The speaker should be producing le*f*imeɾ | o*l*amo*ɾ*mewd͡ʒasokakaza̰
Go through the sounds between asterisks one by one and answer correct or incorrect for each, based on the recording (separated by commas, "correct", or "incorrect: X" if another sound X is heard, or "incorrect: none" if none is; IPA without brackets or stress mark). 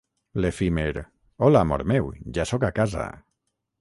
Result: correct, correct, correct